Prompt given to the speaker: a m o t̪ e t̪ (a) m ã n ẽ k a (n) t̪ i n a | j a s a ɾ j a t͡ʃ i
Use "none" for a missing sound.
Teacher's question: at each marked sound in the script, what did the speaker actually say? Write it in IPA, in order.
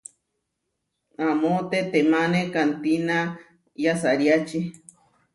e, n

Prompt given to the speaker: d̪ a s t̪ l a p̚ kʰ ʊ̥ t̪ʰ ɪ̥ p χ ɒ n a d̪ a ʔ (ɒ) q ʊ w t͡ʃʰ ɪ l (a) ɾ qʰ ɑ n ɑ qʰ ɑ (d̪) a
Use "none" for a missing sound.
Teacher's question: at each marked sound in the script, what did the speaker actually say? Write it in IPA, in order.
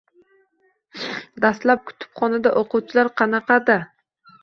o, a, d̪

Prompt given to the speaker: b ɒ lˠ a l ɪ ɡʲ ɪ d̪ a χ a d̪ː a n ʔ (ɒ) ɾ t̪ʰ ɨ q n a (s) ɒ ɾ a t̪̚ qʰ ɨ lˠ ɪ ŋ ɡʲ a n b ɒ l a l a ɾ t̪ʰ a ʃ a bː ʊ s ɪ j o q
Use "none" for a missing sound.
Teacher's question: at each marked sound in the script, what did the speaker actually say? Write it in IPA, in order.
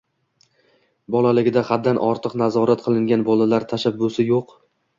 ɒ, z

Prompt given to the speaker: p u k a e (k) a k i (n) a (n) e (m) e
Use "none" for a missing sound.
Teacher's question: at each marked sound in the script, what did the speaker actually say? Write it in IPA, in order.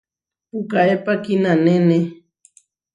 p, n, n, n

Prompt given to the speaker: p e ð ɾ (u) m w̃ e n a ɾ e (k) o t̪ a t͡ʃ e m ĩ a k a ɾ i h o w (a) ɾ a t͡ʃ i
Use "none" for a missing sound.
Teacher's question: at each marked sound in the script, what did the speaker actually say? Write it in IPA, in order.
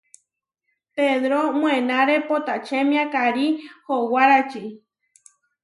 o, p, a

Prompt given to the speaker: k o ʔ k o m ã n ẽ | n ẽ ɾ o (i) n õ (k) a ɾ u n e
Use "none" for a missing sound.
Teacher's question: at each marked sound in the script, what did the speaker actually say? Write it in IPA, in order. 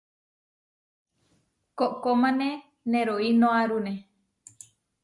i, none

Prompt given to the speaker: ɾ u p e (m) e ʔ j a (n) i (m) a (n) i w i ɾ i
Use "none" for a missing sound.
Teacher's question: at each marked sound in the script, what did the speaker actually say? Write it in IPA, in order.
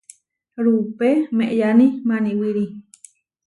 m, n, m, n

